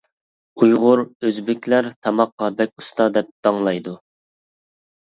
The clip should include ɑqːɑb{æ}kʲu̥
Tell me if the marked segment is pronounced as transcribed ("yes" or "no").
no